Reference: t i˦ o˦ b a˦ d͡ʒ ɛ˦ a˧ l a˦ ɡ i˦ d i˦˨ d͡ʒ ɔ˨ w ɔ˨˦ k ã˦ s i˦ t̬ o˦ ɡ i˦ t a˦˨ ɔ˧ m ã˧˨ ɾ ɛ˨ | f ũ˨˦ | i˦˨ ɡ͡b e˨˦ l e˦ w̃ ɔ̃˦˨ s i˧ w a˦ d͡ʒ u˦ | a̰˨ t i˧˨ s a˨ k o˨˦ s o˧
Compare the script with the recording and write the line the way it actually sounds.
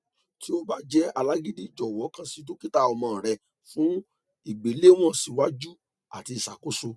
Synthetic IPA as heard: t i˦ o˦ b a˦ d͡ʒ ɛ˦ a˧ l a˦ ɡ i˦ d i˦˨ d͡ʒ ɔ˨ w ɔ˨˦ k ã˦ s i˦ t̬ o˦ k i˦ t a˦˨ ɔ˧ m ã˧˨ ɾ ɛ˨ | f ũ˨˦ | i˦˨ ɡ͡b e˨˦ l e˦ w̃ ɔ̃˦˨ s i˧ w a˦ d͡ʒ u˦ | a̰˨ t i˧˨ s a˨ k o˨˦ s o˧